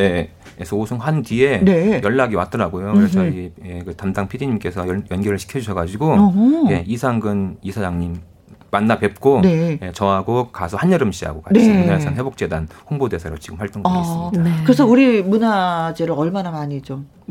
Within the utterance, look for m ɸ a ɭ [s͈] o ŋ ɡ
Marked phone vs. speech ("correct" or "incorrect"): incorrect